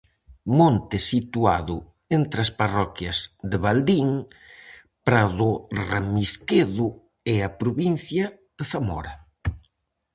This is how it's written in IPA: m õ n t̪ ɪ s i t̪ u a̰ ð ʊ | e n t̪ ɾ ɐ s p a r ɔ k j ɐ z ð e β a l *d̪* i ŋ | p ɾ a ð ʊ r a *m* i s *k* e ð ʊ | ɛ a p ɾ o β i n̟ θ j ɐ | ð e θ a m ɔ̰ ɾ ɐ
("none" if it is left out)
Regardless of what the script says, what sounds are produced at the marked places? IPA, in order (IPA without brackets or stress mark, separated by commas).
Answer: d̪, m, k